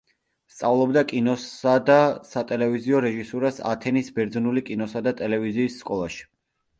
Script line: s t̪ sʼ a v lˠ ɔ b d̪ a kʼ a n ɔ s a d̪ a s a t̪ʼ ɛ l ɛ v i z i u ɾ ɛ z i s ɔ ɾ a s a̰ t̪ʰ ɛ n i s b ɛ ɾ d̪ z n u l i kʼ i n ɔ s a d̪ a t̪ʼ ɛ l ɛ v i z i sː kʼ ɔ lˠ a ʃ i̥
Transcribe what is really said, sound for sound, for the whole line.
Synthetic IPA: s t̪ sʼ a v lˠ ɔ b d̪ a kʼ i n ɔ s a d̪ a s a t̪ʼ ɛ l ɛ v i z i ɔ ɾ ɛ ʒ i s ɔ ɾ a s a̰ t̪ʰ ɛ n i s b ɛ ɾ d̪ z n u l i kʼ i n ɔ s a d̪ a t̪ʼ ɛ l ɛ v i z iː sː kʼ ɔ lˠ a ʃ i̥